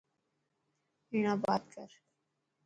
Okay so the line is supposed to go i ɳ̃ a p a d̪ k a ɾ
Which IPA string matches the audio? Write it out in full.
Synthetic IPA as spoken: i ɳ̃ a b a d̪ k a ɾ